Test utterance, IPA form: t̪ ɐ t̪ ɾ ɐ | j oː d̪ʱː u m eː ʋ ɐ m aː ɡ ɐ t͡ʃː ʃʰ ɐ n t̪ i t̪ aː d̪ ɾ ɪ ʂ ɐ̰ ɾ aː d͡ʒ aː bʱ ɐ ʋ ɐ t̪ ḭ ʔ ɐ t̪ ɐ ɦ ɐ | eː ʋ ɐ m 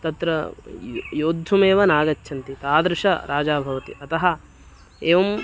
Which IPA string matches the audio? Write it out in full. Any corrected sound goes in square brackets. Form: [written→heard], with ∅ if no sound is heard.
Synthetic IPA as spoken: t̪ ɐ t̪ ɾ ɐ | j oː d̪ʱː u m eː ʋ ɐ [m→n] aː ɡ ɐ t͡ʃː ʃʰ ɐ n t̪ i t̪ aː d̪ ɾ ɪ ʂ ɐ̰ ɾ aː d͡ʒ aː bʱ ɐ ʋ ɐ t̪ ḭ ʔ ɐ t̪ ɐ ɦ ɐ | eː ʋ ɐ m